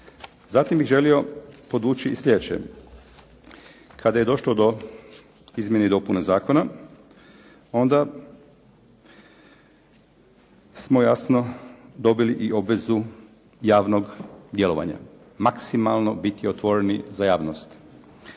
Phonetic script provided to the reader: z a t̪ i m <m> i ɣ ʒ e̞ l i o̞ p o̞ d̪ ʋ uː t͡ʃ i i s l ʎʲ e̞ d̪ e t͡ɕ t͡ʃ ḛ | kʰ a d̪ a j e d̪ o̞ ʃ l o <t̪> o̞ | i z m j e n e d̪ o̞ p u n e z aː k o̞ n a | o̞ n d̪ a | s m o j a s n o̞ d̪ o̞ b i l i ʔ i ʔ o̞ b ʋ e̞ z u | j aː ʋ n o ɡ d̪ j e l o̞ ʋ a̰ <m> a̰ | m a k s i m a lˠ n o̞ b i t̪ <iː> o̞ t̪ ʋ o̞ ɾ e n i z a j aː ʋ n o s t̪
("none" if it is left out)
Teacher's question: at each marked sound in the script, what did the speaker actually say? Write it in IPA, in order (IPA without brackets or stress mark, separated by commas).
b, d̪, ɲ, i